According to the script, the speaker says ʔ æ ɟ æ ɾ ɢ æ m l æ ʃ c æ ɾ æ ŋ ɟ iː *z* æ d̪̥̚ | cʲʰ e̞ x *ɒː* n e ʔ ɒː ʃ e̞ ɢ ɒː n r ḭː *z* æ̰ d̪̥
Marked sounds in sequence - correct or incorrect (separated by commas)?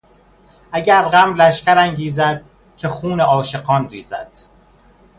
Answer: correct, incorrect, correct